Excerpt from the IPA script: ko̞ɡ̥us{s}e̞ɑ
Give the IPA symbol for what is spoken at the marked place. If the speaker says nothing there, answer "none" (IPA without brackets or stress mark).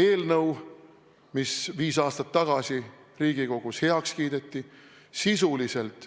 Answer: h